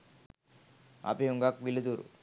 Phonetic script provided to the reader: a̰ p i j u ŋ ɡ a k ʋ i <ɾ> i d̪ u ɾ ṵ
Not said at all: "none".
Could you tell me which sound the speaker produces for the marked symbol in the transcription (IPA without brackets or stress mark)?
l